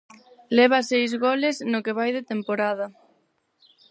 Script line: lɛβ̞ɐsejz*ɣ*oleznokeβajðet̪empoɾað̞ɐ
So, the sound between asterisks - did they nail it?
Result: yes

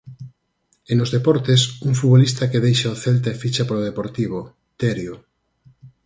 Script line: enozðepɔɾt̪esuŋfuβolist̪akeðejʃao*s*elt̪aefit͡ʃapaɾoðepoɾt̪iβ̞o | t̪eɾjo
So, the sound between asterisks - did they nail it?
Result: no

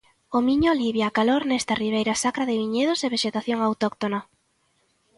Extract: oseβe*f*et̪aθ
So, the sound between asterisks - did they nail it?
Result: no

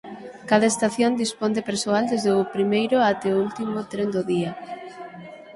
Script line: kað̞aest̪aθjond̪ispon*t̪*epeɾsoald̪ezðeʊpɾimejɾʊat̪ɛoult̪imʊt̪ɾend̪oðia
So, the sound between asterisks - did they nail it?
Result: no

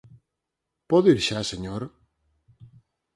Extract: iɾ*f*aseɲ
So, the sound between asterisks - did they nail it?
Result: no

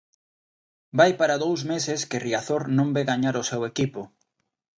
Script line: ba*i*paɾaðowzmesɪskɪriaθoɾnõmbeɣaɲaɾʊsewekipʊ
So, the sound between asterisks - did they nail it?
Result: no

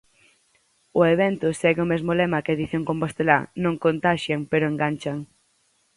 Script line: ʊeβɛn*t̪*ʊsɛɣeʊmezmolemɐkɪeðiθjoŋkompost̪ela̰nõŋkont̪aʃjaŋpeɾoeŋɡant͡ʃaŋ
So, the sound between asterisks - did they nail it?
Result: yes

